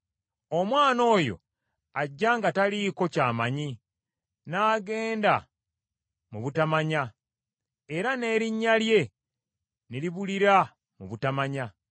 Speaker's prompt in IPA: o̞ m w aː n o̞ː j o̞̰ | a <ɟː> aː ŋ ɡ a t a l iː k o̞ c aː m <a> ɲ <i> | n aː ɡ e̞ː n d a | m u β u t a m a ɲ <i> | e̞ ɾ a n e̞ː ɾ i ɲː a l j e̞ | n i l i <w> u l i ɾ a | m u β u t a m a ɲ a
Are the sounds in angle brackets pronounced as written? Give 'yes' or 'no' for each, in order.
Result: yes, yes, yes, no, no

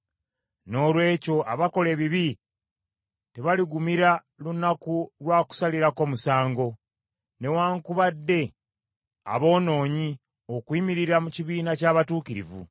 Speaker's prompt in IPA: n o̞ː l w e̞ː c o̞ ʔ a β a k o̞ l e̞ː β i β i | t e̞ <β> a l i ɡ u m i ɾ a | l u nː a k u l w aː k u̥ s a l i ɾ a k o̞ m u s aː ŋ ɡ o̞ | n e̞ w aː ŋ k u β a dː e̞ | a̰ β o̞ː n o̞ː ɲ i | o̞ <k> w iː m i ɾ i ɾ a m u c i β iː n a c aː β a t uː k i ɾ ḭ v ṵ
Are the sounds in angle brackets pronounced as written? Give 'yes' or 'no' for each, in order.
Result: yes, yes

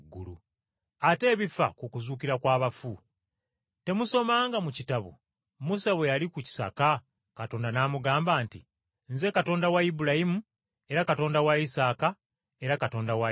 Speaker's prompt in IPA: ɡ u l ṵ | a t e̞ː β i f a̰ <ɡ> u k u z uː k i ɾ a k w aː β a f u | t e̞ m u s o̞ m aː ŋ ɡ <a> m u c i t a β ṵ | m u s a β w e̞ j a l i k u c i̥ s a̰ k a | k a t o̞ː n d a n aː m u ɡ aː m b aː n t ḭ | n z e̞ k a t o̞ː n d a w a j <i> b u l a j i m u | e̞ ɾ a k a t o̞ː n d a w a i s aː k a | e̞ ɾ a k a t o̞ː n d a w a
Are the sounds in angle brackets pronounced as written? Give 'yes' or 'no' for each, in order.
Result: no, yes, yes

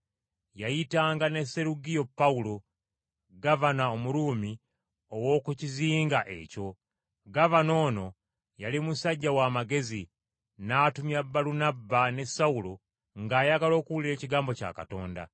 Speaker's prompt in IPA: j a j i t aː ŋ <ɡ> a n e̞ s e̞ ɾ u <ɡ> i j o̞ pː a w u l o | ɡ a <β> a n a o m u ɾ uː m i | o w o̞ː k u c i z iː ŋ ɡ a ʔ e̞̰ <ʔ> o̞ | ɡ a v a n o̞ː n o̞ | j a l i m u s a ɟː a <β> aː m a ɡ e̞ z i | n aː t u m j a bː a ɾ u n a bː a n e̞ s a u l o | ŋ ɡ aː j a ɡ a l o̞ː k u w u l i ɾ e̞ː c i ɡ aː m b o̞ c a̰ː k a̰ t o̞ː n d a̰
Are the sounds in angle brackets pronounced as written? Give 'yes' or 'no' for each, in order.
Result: yes, yes, no, no, no

